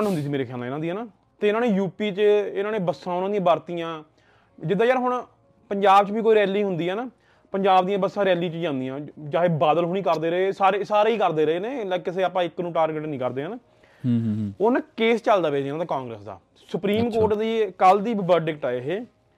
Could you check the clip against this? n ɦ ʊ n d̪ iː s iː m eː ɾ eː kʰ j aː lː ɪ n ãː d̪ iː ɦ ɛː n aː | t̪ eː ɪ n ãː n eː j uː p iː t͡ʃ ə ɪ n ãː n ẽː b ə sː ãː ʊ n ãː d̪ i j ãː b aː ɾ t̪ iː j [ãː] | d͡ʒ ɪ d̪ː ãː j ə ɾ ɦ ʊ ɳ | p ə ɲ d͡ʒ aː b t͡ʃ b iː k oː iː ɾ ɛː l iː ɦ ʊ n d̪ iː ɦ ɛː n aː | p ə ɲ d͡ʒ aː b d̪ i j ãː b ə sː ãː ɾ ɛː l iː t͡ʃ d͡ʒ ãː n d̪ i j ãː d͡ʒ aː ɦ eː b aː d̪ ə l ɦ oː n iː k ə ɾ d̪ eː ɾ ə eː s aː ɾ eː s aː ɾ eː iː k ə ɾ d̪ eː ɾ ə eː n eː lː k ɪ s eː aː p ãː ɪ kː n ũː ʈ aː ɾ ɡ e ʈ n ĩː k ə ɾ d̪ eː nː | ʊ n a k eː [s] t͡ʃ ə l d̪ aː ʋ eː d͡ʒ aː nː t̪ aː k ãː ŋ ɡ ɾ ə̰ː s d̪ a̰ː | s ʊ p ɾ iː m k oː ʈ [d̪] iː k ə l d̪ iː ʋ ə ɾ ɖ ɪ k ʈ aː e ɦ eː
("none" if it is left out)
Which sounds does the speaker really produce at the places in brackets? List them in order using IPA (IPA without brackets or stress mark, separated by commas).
ãː, s, d̪